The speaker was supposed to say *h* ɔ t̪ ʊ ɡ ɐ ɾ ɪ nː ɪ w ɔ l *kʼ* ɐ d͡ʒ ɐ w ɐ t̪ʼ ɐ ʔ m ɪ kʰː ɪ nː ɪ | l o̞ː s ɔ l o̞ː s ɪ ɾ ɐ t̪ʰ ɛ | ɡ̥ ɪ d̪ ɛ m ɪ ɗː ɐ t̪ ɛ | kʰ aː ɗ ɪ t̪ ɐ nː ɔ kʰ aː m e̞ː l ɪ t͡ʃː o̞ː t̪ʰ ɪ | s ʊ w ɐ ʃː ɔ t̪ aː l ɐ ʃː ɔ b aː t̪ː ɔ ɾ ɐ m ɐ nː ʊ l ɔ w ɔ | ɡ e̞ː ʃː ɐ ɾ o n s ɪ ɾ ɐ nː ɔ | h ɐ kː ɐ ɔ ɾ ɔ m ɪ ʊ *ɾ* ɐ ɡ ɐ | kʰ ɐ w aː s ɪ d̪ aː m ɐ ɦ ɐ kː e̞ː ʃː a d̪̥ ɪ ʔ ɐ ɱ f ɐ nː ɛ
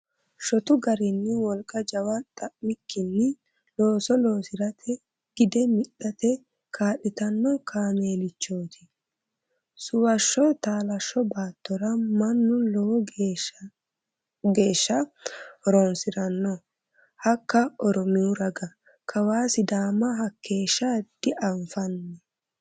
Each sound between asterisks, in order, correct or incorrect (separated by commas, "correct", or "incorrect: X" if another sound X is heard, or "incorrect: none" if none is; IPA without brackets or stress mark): incorrect: ʃ, correct, correct